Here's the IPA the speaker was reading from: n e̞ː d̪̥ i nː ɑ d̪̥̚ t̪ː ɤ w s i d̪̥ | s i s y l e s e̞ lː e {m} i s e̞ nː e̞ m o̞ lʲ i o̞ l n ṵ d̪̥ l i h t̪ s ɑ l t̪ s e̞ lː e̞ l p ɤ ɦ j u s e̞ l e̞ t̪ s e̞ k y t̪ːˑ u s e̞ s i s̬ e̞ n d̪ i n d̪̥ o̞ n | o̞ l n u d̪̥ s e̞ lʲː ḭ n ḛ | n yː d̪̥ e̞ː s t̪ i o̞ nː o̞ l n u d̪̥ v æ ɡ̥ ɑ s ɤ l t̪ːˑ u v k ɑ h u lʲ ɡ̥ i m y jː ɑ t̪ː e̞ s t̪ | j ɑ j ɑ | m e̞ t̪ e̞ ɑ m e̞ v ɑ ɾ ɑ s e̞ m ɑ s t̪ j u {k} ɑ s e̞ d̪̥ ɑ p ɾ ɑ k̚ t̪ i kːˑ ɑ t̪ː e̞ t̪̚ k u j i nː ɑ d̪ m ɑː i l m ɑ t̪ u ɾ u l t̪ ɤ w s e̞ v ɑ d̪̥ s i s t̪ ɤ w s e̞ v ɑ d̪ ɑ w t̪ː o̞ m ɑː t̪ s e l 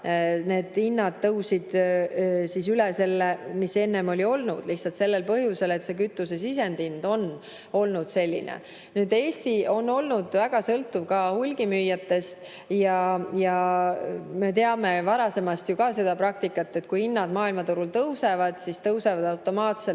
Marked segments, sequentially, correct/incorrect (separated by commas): correct, correct